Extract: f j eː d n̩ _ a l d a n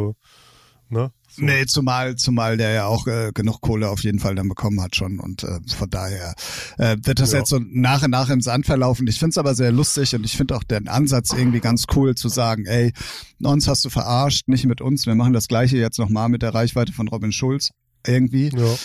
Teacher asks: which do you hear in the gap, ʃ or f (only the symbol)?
f